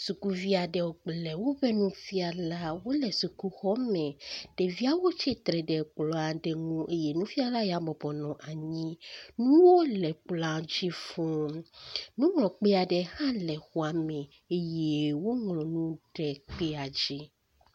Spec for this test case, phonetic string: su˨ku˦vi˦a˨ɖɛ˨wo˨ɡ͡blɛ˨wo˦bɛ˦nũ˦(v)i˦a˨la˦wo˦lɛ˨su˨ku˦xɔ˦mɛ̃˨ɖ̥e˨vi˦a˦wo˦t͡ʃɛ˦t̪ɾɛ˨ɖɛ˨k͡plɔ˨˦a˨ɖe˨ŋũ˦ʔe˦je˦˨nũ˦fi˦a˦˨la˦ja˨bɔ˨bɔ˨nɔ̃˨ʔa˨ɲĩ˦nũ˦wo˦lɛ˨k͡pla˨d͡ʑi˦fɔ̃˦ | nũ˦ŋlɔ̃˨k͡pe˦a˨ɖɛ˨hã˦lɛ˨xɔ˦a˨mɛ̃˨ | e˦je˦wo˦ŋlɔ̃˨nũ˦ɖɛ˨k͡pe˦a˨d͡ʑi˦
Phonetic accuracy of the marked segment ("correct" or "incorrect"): incorrect